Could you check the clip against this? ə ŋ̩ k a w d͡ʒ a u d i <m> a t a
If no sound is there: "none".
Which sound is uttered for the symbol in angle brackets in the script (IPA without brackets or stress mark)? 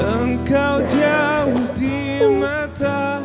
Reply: m